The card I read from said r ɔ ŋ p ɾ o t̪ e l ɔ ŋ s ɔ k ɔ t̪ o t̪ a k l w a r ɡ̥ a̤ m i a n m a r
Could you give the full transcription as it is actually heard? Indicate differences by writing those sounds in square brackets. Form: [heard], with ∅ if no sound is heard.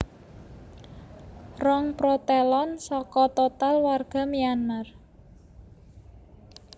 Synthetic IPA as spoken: r ɔ ŋ p ɾ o t̪ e l ɔ [n] s ɔ k ɔ t̪ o t̪ a [∅] l w a r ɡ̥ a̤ m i a n m a r